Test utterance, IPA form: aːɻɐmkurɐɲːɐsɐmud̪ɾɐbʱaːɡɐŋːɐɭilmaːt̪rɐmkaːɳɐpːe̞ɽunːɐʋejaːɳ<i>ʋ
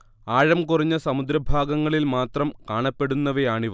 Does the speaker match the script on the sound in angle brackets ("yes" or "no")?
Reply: yes